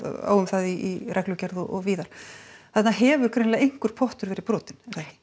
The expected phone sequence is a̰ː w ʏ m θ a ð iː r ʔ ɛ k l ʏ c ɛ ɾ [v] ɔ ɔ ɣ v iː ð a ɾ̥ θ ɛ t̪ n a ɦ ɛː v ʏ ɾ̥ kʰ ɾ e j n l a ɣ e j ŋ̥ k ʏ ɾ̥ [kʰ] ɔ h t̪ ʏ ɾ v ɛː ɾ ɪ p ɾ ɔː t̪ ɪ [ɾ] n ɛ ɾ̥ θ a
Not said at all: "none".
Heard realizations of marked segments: ð, pʰ, none

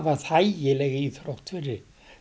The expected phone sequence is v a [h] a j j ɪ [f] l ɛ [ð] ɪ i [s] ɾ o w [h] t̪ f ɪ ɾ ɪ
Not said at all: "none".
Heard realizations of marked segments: θ, none, ɣ, θ, h

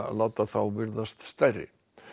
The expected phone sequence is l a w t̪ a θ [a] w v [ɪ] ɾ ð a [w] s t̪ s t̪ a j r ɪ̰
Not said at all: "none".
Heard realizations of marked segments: a, ɪ, none

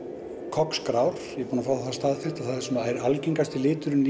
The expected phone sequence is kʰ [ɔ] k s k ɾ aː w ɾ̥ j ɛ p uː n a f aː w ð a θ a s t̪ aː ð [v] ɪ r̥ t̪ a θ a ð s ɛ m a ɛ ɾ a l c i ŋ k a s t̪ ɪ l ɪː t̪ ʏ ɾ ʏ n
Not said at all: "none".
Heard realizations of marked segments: ɔ, f

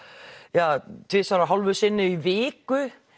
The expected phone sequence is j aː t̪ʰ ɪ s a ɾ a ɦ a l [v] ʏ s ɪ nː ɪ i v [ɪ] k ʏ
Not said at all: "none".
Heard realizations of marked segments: v, ɪː

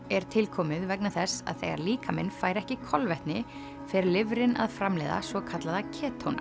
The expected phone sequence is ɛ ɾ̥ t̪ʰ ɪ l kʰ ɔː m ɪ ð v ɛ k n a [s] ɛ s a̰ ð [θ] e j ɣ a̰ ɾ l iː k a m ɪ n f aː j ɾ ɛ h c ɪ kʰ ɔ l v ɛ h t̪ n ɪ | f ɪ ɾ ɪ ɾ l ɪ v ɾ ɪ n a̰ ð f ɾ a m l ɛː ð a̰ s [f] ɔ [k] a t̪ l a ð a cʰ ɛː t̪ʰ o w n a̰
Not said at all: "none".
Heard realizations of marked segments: θ, θ, v, kʰ

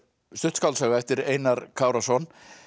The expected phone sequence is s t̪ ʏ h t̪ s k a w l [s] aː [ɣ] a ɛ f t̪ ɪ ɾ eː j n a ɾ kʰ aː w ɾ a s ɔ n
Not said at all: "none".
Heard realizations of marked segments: s, ɣ

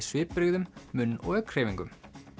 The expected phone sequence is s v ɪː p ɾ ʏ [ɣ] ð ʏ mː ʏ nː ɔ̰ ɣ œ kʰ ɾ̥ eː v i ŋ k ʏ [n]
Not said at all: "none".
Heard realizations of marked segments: ɣ, m

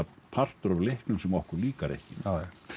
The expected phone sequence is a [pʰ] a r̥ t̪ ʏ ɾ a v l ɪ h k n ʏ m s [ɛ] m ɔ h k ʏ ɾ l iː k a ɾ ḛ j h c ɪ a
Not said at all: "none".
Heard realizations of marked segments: pʰ, ɛ

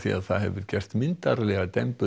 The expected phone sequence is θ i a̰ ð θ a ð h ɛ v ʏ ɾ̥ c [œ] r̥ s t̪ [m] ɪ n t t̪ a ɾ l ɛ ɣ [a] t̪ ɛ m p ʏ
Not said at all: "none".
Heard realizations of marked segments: ɛ, m, a

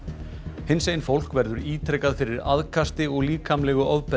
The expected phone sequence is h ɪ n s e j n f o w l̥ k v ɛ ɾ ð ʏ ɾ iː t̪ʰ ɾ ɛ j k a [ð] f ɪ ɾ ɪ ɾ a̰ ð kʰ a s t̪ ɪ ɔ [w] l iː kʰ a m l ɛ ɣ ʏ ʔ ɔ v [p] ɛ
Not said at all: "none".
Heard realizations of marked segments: ð, ɣ, p

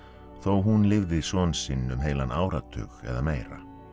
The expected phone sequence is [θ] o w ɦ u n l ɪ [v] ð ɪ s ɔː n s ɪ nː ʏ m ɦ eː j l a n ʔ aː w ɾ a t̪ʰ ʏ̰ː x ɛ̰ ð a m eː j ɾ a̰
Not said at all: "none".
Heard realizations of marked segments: θ, v

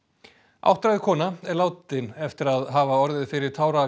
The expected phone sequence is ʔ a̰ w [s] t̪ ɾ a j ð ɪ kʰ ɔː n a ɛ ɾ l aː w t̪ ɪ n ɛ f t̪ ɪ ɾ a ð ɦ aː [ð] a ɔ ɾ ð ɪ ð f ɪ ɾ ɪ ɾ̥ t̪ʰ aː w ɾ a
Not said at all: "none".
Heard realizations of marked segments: h, v

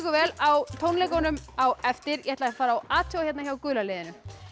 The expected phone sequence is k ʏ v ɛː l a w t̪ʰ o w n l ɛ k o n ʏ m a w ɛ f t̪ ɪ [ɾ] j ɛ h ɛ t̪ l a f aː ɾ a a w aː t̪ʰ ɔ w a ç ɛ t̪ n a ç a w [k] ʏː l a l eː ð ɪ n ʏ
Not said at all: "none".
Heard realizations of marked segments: ɾ, k

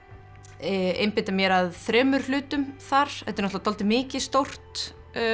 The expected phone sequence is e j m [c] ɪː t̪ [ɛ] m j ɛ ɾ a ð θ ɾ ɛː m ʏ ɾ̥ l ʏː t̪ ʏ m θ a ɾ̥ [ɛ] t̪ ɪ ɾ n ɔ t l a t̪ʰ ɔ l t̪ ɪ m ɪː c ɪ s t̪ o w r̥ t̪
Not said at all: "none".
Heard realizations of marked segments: p, a, ɛ

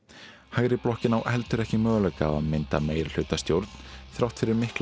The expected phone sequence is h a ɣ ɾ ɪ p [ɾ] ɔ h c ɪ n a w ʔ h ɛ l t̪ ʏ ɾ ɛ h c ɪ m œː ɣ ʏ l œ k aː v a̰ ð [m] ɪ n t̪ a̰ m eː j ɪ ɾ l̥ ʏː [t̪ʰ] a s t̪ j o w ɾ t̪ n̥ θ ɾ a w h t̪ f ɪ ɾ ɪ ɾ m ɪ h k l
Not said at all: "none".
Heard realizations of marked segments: l, m, t̪

